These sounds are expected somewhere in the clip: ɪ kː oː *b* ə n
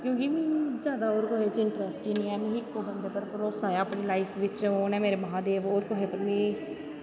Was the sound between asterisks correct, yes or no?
yes